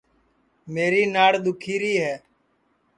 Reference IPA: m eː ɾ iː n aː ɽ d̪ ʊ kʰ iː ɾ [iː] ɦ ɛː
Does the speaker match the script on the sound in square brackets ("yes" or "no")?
yes